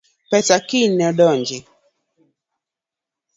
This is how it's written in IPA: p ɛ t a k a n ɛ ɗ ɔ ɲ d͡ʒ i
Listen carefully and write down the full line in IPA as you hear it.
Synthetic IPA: p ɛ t a k i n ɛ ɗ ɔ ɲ d͡ʒ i